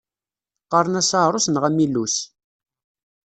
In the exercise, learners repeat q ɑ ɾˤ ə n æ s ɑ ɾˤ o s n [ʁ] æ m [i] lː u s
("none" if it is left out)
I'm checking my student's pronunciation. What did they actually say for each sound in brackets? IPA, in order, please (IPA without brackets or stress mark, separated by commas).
ʁ, i